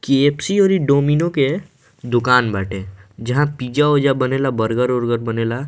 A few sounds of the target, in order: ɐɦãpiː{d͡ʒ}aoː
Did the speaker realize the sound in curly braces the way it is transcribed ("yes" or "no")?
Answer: yes